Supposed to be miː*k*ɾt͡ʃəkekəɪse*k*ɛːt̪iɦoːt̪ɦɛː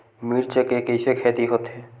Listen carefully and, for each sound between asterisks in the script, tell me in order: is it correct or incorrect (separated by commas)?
incorrect, incorrect